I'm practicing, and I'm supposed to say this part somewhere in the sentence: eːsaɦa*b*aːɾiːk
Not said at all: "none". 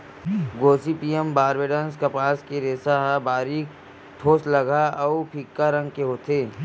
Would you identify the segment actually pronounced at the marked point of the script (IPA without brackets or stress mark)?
b